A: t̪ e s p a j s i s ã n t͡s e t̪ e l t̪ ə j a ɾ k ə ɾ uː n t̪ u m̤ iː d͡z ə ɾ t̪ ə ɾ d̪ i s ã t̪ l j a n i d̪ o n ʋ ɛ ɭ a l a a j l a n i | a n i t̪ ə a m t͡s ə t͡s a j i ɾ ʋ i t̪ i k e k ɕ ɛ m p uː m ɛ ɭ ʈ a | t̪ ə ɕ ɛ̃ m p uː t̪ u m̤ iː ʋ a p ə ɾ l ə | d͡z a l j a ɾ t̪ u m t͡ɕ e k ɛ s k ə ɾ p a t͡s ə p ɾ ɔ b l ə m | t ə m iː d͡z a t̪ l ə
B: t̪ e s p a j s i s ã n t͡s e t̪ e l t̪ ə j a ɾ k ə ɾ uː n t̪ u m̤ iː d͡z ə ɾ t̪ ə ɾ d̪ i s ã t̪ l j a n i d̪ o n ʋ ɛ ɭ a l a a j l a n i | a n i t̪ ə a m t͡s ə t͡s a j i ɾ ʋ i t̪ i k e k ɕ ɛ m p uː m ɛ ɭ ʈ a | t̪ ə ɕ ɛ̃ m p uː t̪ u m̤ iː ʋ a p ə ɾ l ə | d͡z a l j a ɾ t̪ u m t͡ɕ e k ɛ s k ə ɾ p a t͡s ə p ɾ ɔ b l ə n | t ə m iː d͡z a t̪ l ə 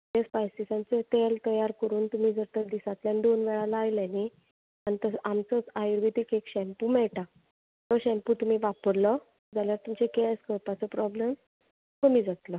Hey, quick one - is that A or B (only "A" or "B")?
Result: A